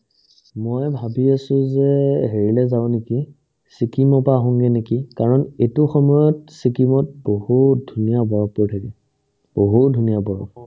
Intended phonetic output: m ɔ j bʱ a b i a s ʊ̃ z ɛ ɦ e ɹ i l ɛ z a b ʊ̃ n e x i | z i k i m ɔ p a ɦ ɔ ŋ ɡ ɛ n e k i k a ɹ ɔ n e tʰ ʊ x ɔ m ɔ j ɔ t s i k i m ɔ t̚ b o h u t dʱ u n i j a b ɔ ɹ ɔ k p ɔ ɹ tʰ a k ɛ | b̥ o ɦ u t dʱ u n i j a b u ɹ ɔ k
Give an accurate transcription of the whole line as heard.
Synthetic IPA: m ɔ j bʱ a b i a s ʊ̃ z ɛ ɦ e ɹ i l ɛ z a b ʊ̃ n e k i | s i k i m ɔ p a ɦ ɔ ŋ ɡ ɛ n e k i k a ɹ ɔ n e t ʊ x ɔ m ɔ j ɔ t s i k i m ɔ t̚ b o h u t dʱ u n i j a b ɔ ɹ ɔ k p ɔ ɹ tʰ a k ɛ | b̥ o ɦ u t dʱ u n i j a b ɔ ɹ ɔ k